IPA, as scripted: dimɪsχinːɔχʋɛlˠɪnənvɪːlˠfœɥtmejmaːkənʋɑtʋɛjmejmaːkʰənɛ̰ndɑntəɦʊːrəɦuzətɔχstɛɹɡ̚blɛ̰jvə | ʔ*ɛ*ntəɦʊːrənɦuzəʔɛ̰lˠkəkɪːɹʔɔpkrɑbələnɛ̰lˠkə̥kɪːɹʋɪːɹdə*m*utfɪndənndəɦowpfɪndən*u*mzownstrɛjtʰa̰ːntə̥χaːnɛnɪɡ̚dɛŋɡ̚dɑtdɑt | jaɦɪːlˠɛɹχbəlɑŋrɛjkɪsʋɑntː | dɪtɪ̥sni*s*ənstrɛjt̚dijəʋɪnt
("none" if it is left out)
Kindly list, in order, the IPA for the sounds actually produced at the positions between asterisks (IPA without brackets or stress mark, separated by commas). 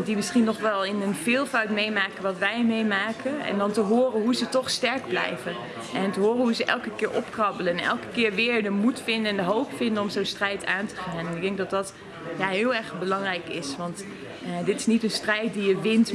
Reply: ɛ, m, ɔ, t